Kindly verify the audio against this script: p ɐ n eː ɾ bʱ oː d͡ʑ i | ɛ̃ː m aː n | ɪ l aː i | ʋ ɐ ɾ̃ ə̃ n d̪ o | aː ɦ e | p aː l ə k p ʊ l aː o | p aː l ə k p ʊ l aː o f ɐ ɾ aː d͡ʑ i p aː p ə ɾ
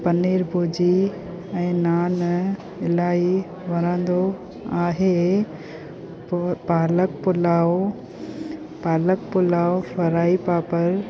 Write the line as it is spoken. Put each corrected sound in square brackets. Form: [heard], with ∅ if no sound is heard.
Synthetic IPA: p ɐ n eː ɾ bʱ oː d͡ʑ i | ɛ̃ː [n] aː n | ɪ l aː i | ʋ ɐ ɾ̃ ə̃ n d̪ o | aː ɦ e | p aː l ə k p ʊ l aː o | p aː l ə k p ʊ l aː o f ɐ ɾ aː [∅] i p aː p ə ɾ

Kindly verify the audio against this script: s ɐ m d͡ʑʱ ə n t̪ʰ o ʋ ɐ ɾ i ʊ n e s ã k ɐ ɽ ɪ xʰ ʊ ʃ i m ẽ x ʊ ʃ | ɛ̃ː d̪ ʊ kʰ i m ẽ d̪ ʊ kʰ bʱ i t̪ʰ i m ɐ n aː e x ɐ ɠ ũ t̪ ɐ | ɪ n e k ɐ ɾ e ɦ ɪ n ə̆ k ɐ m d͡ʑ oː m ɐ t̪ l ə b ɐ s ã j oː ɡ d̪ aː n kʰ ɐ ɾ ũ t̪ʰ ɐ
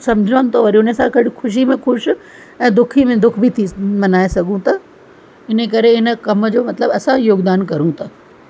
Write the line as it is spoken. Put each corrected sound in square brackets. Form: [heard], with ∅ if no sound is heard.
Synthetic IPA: s ɐ m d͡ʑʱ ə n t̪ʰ o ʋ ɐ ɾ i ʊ n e s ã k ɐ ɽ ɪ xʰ ʊ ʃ i m ẽ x ʊ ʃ | ɛ̃ː d̪ ʊ kʰ i m ẽ d̪ ʊ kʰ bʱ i t̪ʰ i m ɐ n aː e [s] ɐ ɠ ũ t̪ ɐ | ɪ n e k ɐ ɾ e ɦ ɪ n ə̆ k ɐ m d͡ʑ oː m ɐ t̪ l ə b ɐ s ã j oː ɡ d̪ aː n [k] ɐ ɾ ũ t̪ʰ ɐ

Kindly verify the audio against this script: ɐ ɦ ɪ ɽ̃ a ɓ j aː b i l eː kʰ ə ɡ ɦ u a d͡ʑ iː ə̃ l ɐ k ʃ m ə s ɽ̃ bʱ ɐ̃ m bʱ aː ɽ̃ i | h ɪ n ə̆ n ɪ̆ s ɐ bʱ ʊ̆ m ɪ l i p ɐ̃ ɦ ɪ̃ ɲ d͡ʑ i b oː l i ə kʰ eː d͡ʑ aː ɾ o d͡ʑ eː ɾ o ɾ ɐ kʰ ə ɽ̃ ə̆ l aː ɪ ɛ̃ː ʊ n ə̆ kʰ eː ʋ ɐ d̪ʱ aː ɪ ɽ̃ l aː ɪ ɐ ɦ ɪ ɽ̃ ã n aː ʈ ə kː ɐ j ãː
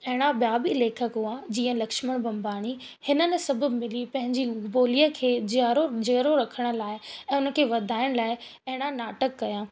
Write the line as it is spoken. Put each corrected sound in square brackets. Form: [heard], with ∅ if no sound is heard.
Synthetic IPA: ɐ ɦ ɪ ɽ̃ a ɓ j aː b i l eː kʰ ə [k] ɦ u a d͡ʑ iː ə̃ l ɐ k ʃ m ə [∅] ɽ̃ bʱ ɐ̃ m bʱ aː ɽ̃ i | h ɪ n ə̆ n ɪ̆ s ɐ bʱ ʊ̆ m ɪ l i p ɐ̃ ɦ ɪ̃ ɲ d͡ʑ i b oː l i ə kʰ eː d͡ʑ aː ɾ o d͡ʑ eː ɾ o ɾ ɐ kʰ ə ɽ̃ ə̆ l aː ɪ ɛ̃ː ʊ n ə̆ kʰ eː ʋ ɐ d̪ʱ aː ɪ ɽ̃ l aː ɪ ɐ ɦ ɪ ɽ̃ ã n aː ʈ ə kː ɐ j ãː

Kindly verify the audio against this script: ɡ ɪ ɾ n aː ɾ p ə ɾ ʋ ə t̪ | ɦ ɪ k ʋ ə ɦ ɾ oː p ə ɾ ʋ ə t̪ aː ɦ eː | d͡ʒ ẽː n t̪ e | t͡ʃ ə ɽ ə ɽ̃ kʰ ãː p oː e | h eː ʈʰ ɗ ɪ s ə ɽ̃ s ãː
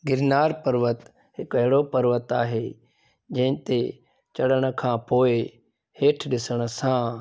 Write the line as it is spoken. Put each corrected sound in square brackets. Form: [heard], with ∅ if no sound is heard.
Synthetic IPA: ɡ ɪ ɾ n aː ɾ p ə ɾ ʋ ə t̪ | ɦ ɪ k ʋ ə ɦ [ɽ] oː p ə ɾ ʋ ə t̪ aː ɦ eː | d͡ʒ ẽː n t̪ e | t͡ʃ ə ɽ ə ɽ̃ kʰ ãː p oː e | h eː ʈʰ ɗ ɪ s ə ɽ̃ s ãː

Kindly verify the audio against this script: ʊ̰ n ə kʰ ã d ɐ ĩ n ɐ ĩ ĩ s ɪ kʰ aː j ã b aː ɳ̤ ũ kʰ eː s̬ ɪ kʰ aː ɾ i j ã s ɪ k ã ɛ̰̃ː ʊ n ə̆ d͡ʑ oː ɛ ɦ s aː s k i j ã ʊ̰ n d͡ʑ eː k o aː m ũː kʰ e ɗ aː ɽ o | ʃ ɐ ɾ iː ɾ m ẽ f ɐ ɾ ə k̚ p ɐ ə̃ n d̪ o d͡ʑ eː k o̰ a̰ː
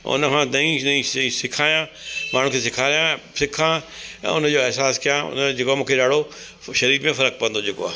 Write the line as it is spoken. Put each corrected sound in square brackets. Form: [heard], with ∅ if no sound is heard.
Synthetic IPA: ʊ̰ n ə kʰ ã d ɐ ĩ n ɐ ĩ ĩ s ɪ kʰ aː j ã [m] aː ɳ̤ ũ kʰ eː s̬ ɪ kʰ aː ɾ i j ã s ɪ [kʰ] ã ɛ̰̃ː ʊ n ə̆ d͡ʑ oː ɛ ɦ s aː s k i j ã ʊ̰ n d͡ʑ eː k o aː m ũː kʰ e ɗ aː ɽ o | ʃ ɐ ɾ iː ɾ m ẽ f ɐ ɾ ə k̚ p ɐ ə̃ n d̪ o d͡ʑ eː k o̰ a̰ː

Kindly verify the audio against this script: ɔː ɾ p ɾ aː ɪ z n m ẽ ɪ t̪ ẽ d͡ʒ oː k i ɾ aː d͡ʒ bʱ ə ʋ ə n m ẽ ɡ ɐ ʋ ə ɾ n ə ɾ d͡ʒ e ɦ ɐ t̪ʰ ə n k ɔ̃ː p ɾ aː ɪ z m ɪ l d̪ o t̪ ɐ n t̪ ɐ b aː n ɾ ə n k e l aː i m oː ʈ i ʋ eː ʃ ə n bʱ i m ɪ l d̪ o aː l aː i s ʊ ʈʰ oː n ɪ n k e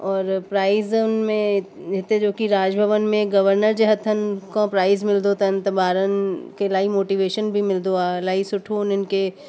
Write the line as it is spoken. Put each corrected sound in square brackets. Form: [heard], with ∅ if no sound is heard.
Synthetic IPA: ɔː ɾ p ɾ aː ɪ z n m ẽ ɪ t̪ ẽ d͡ʒ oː k i ɾ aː d͡ʒ bʱ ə ʋ ə n m ẽ ɡ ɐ ʋ ə ɾ n ə ɾ d͡ʒ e ɦ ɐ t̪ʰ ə n k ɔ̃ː p ɾ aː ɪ z m ɪ l d̪ o t̪ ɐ n t̪ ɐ b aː [∅] ɾ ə n k e l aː i m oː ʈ i ʋ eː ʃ ə n bʱ i m ɪ l d̪ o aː l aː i s ʊ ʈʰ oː n ɪ n k e

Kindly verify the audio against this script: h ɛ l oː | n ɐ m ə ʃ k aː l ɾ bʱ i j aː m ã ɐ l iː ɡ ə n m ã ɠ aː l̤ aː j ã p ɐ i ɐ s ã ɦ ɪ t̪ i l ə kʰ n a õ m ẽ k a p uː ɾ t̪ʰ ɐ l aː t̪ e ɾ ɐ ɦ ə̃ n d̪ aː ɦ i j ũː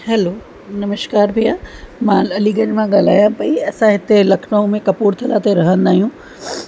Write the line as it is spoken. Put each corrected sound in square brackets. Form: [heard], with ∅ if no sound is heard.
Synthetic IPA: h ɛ l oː | n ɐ m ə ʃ k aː [∅] ɾ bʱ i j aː m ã ɐ l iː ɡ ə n m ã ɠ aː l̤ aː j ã p ɐ i ɐ s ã ɦ ɪ t̪ [e] l [ɐ] kʰ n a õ m ẽ k [ɐ] p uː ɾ t̪ʰ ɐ l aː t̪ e ɾ ɐ ɦ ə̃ n d̪ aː ɦ i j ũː

